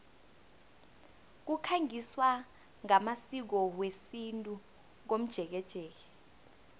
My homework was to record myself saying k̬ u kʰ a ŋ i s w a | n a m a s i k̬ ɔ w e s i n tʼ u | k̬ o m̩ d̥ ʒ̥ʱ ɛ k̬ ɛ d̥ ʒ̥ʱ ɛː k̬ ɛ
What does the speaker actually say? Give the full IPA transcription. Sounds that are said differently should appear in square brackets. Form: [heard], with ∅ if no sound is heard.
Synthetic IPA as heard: k̬ u kʰ a ŋ i s w a | [ŋ] a m a s i k̬ ɔ w e s i n tʼ u | k̬ o m̩ d̥ ʒ̥ʱ ɛ k̬ ɛ d̥ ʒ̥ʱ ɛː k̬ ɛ